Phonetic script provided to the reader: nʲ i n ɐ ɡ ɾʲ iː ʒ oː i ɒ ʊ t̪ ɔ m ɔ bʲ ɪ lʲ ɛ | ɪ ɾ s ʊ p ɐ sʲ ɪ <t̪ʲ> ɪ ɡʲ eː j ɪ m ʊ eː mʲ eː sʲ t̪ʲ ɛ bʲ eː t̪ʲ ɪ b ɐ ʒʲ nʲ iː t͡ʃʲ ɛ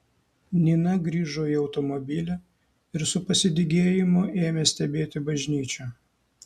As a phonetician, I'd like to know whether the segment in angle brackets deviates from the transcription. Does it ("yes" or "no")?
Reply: yes